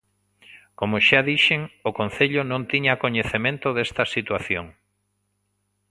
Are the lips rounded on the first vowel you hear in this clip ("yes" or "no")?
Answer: yes